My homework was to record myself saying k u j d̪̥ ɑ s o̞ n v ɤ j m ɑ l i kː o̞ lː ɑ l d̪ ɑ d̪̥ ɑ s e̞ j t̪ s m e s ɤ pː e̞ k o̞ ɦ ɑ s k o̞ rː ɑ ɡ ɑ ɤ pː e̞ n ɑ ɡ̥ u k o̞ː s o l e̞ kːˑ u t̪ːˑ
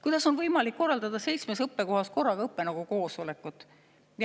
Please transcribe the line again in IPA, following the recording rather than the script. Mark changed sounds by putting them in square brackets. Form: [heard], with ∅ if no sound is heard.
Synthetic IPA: k u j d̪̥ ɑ s o̞ n v ɤ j m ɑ l i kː o̞ [rː] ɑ l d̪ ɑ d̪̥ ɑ s e̞ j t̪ s m e s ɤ pː e̞ k o̞ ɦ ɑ s k o̞ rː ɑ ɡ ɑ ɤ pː e̞ n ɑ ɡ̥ u k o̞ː s o l e̞ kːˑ u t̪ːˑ